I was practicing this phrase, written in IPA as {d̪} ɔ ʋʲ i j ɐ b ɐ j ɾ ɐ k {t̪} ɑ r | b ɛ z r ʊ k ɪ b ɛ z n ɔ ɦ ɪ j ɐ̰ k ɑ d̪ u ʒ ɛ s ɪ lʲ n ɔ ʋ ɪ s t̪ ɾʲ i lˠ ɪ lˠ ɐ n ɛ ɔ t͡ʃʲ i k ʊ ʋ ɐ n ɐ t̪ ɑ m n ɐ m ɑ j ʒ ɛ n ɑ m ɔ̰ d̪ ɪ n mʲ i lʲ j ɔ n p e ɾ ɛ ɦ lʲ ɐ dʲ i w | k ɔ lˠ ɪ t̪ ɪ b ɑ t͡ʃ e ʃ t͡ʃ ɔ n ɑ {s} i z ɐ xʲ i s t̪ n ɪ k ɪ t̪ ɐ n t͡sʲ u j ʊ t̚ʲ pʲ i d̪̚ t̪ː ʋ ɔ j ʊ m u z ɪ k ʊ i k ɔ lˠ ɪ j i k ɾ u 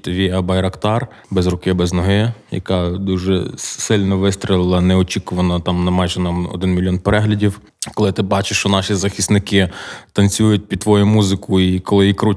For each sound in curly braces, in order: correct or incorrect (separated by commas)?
incorrect, correct, incorrect